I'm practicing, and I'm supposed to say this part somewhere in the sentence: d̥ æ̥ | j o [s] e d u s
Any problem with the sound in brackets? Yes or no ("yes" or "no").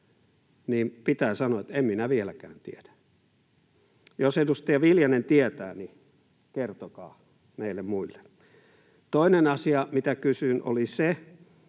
no